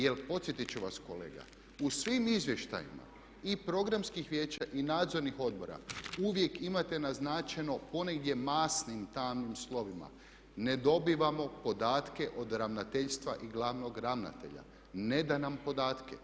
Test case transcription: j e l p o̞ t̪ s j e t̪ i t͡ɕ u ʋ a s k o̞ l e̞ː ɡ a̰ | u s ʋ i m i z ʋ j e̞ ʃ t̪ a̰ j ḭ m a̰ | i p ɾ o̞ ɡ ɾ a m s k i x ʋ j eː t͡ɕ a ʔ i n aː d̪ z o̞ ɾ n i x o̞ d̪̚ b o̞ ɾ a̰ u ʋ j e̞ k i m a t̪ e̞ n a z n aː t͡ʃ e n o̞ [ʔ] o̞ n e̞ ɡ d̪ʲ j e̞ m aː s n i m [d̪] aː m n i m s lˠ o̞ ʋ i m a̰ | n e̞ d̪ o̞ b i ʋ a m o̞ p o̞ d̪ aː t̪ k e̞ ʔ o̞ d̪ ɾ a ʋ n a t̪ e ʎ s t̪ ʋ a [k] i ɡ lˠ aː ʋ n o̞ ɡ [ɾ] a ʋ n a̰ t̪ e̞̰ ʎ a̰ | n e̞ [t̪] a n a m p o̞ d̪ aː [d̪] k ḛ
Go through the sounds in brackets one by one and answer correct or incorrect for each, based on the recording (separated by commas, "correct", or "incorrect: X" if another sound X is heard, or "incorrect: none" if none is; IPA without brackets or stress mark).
incorrect: p, incorrect: t̪, incorrect: ʔ, correct, incorrect: d̪, incorrect: t̪